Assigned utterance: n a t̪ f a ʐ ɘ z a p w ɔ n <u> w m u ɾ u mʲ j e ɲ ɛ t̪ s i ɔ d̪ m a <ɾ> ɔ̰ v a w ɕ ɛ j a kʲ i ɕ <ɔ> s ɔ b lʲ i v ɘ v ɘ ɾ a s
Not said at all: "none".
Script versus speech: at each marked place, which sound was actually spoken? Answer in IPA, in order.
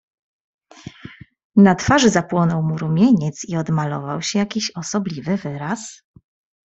ɔ, l, ɔ

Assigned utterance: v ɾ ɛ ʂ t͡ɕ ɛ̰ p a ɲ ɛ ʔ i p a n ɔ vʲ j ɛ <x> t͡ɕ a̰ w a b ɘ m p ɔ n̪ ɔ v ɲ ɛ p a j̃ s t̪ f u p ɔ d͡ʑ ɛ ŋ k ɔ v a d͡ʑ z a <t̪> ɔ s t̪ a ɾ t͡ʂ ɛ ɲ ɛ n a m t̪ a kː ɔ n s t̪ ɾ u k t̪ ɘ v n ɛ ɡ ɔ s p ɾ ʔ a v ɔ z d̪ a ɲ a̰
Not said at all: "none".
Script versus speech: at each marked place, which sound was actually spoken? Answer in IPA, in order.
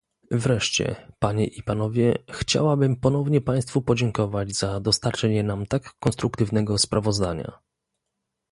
x, d̪

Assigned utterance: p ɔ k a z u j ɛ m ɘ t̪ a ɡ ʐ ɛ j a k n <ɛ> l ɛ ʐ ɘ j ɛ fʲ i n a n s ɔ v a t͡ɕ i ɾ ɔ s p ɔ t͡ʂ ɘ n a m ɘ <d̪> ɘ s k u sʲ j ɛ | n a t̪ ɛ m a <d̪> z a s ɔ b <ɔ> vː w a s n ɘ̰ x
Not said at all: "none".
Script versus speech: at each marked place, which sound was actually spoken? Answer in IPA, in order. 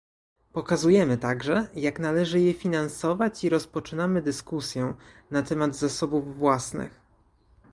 a, d̪, d̪, u

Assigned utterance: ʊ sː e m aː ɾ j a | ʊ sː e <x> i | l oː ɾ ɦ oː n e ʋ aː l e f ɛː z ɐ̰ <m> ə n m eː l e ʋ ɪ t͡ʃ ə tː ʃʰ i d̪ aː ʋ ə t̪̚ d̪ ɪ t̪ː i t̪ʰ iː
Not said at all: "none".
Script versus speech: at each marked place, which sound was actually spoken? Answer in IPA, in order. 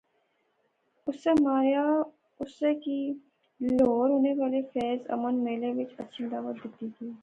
k, m

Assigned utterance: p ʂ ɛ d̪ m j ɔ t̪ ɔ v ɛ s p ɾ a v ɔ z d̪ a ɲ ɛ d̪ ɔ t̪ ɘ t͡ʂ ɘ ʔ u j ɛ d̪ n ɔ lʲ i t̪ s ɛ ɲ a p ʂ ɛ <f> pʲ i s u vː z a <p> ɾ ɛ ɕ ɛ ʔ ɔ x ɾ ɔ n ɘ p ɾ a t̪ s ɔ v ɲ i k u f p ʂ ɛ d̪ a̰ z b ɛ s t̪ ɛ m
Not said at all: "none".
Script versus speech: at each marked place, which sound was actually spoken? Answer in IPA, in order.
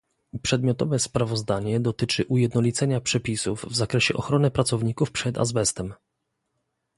none, k

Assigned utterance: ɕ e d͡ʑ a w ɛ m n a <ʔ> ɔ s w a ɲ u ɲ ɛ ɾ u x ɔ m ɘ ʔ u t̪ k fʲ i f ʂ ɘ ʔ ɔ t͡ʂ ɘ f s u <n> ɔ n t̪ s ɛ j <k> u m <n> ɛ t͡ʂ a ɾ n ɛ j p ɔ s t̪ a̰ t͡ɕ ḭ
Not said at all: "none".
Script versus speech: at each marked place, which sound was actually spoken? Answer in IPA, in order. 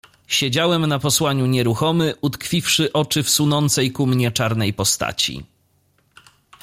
p, n, k, ɲ

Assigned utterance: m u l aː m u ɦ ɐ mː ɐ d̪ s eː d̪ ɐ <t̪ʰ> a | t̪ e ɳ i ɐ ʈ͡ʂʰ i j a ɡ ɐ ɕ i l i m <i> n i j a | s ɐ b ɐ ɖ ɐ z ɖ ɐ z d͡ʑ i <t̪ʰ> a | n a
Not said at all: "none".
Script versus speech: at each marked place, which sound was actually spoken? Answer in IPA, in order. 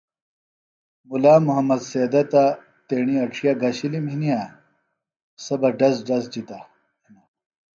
t̪, i, t̪

